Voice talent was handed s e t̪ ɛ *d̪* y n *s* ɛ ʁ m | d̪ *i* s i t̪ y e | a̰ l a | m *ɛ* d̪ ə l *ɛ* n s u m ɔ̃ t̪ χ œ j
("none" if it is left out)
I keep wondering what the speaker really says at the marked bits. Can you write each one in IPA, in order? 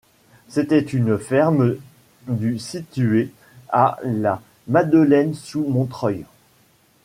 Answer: t̪, f, y, a, ɛ

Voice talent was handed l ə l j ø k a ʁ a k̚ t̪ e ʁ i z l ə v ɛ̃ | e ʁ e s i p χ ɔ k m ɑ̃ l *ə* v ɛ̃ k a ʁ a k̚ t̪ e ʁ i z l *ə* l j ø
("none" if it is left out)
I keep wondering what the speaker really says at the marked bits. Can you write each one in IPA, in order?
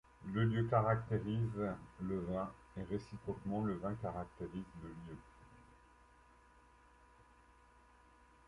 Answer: ə, ə

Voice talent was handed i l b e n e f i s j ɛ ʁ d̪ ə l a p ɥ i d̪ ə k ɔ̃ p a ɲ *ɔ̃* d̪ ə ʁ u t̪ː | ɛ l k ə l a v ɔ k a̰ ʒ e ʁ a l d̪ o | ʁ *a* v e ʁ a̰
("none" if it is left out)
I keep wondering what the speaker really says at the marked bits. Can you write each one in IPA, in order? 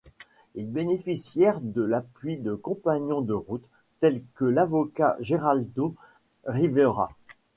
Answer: ɔ̃, i

